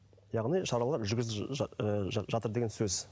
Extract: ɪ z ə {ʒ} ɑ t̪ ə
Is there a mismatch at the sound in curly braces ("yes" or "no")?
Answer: no